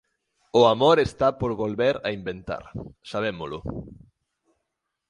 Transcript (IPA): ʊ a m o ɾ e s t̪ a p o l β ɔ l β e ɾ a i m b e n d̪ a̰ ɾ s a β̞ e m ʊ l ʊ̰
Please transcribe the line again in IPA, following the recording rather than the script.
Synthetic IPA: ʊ a m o ɾ e s t̪ a p o ɾ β o l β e ɾ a i m b e n t̪ a̰ ɾ s a β̞ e m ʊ l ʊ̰